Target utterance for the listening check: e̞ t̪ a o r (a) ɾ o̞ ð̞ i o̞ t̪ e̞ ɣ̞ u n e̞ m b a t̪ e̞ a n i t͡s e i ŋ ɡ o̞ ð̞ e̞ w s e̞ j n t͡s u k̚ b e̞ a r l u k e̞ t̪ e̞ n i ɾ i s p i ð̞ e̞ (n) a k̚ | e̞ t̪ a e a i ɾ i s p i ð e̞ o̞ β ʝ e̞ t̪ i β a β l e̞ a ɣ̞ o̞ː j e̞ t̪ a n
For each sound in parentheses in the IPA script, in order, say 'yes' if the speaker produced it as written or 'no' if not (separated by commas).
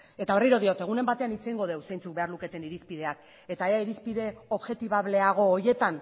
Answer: no, no